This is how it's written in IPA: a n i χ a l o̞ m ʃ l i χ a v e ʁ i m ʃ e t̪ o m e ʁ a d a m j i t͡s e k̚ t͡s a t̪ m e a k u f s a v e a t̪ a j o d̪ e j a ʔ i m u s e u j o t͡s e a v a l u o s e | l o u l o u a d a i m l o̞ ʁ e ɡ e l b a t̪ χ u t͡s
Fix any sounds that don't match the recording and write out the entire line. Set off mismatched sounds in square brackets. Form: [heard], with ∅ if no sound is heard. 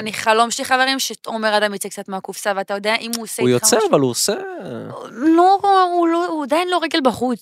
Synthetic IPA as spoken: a n i χ a l o̞ m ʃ l i χ a v e ʁ i m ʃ e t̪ o m e ʁ a d a m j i t͡s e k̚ t͡s a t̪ m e a k u f s a v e a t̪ a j o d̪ e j a ʔ i m u s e u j o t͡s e a v a l u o s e | l o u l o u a d a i [n] l o̞ ʁ e ɡ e l b a [∅] χ u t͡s